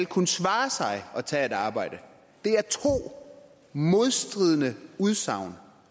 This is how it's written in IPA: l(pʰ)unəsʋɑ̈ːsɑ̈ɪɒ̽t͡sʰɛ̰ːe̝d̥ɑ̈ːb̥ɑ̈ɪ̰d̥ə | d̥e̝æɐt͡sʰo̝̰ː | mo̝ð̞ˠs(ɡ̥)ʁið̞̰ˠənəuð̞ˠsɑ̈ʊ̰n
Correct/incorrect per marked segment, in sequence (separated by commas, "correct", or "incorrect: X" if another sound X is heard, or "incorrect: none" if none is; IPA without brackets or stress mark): incorrect: kʰ, incorrect: d̥